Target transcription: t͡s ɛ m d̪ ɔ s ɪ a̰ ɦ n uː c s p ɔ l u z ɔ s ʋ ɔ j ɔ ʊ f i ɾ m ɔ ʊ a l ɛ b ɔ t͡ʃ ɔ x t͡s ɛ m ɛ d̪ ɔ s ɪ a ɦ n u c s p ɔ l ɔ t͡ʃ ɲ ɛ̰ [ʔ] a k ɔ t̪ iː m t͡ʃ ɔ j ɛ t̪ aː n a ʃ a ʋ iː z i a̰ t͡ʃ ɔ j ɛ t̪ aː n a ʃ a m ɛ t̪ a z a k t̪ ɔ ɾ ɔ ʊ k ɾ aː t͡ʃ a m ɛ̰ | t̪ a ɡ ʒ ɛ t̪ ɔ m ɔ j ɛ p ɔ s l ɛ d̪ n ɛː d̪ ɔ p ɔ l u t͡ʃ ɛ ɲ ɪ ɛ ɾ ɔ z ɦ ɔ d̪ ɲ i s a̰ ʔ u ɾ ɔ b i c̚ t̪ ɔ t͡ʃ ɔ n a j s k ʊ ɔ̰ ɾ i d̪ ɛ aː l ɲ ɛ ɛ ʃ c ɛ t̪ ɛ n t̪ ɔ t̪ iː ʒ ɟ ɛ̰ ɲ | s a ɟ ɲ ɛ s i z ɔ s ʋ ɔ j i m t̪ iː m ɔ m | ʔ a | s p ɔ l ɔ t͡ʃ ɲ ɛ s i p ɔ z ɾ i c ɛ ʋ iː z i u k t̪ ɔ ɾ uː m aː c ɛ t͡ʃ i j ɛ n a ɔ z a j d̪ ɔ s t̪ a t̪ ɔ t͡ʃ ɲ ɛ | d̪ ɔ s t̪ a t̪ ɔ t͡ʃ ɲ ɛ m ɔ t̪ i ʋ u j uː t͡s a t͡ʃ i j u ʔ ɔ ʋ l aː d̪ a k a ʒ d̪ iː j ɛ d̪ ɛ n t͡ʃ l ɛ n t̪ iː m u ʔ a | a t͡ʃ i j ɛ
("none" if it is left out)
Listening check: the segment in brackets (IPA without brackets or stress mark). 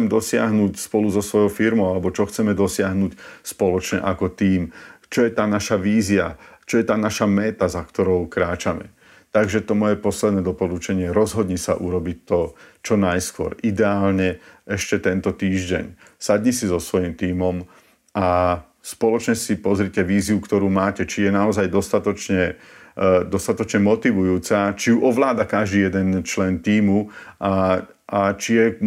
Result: ʔ